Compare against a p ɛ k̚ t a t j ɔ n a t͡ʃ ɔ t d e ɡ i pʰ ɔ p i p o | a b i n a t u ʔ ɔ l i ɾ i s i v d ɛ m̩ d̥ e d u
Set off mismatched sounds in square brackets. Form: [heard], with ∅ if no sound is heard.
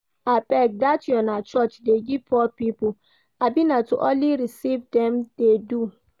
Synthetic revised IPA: a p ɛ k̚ [d] a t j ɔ n a t͡ʃ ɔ [t͡ʃ] d e ɡ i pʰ ɔ p i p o | a b i n a t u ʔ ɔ l i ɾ i s i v d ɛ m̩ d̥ e d u